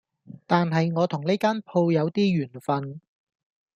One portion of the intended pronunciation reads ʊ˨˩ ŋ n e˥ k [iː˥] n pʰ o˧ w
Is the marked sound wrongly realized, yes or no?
yes